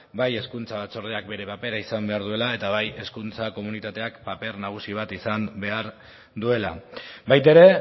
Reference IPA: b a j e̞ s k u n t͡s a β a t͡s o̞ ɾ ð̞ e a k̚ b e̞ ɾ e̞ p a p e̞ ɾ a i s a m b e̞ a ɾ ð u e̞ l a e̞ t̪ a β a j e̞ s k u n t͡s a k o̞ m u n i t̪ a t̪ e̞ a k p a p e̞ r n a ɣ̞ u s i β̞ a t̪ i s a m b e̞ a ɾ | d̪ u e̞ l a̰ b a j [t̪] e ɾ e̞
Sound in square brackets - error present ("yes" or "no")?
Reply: no